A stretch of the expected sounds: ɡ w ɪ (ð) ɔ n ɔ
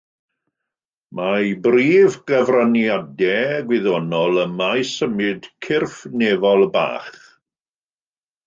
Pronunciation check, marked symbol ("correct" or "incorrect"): correct